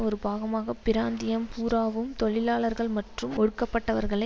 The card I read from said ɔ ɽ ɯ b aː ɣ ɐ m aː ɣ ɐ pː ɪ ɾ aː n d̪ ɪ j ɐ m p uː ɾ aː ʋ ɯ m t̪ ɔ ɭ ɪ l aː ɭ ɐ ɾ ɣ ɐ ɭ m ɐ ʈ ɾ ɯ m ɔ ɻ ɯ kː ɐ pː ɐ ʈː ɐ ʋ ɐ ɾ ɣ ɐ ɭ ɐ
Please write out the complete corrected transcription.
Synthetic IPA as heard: ɔ ɾ ɯ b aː ɣ ɐ m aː ɣ ɐ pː ɪ ɾ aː n d̪ ɪ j ɐ m p uː ɾ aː ʋ ɯ m t̪ ɔ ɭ ɪ l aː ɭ ɐ ɾ ɣ ɐ ɭ m ɐ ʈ r ɯ m ɔ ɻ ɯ kː ɐ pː ɐ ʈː ɐ ʋ ɐ ɾ ɣ ɐ ɭ ɐ